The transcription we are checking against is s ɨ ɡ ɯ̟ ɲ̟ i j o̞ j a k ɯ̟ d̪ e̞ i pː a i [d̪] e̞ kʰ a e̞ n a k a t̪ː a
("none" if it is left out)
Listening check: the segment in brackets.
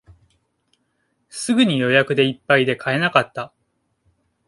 d̪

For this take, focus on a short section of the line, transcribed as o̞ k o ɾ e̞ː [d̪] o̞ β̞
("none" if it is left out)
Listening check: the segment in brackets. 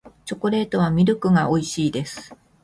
t̪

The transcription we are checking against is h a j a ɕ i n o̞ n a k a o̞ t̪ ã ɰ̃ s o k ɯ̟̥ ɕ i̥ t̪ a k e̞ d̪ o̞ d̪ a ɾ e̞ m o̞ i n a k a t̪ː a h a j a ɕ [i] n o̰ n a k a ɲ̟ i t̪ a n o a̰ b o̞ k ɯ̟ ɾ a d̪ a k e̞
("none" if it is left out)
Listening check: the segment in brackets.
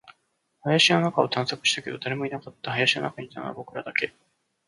i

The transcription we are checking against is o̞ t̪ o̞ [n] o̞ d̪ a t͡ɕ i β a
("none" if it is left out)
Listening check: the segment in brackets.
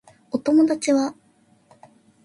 m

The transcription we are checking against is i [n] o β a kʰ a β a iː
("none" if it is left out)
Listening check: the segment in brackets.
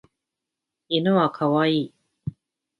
n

